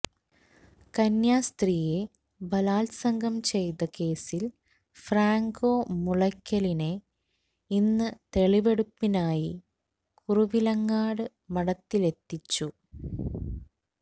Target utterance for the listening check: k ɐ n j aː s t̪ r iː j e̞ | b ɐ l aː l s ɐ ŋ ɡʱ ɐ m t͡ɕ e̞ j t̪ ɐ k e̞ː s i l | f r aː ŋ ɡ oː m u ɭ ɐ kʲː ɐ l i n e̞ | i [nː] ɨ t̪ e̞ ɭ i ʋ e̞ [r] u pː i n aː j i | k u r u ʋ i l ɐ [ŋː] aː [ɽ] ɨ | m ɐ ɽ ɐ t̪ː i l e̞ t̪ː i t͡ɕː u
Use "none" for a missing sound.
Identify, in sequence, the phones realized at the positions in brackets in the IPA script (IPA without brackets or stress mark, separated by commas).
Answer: nː, ɽ, ŋː, ɽ